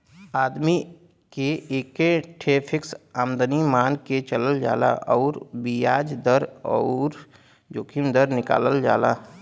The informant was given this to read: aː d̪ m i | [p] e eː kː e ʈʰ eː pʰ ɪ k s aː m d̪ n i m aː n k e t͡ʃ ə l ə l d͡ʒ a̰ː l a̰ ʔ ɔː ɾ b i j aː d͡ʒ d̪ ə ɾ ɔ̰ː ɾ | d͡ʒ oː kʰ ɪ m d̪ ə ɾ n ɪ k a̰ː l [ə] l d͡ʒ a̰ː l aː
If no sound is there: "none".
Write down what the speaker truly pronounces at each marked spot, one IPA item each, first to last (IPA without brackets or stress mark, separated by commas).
k, ə